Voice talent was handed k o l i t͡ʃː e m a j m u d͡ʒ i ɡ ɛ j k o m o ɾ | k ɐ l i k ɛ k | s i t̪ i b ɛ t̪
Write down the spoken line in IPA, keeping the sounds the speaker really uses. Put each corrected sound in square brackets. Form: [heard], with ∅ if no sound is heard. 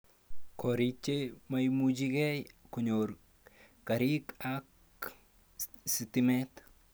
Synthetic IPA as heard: k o [ɾ] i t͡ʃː e m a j m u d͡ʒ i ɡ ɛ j k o [ɲ] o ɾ | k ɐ [ɾ] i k [a] k | s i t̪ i [m] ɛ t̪